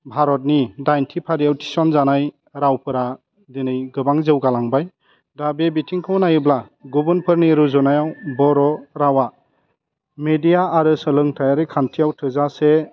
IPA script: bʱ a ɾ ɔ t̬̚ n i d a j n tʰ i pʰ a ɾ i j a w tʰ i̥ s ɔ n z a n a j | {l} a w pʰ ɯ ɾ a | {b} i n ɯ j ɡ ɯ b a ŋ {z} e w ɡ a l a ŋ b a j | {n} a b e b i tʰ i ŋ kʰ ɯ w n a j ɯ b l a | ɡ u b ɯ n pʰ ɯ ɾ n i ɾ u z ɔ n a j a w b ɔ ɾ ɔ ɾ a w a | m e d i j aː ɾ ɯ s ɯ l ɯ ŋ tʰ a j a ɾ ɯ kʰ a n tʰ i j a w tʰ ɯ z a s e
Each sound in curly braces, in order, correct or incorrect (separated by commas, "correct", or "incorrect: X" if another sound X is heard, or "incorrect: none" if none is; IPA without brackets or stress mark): incorrect: ɾ, incorrect: d, correct, incorrect: d